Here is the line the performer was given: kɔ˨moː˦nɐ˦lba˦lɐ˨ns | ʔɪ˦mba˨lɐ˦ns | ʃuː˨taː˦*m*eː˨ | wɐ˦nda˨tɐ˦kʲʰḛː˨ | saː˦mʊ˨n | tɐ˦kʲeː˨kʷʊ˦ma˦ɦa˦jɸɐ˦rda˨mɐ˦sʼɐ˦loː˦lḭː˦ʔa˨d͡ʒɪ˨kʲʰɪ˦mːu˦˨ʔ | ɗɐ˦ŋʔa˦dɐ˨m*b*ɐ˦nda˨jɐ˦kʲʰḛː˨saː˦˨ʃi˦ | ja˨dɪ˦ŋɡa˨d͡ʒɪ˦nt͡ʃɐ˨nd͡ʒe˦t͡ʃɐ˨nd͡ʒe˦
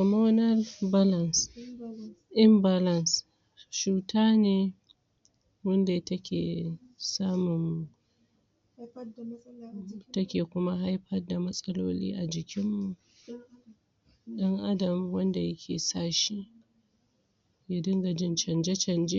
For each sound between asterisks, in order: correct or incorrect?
incorrect: n, incorrect: w

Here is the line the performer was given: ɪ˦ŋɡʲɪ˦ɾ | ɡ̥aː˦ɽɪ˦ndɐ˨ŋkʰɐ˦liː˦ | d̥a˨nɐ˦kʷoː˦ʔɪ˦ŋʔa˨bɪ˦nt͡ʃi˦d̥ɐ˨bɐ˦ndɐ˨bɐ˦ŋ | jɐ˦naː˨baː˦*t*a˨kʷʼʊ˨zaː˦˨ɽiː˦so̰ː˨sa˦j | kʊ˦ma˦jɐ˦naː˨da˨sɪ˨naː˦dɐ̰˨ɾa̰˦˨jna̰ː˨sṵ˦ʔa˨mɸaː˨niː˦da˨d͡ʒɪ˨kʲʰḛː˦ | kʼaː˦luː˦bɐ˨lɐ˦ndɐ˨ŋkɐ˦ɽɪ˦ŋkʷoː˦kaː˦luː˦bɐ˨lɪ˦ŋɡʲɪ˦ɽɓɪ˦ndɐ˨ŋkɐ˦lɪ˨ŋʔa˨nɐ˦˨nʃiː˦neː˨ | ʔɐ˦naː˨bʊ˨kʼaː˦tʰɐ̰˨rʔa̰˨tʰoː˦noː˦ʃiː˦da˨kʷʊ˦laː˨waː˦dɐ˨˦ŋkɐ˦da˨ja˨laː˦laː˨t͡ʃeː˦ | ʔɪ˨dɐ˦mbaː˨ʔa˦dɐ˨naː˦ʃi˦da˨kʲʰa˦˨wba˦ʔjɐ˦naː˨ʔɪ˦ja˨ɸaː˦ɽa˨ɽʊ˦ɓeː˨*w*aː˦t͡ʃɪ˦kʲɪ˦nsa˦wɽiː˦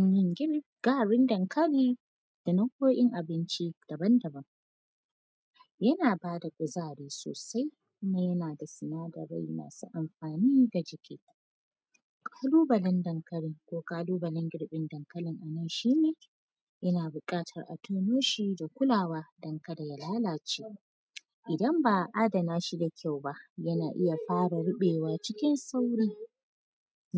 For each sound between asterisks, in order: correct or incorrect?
incorrect: d, correct

